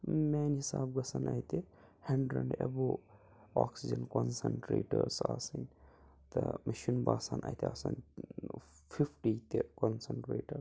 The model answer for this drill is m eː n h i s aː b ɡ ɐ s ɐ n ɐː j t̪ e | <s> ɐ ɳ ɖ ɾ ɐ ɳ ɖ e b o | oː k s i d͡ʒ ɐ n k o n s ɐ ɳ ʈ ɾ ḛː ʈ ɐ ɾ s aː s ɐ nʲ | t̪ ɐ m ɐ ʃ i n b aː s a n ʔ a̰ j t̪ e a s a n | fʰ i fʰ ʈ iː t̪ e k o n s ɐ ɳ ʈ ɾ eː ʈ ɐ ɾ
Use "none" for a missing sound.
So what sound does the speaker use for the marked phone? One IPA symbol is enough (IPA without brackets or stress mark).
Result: h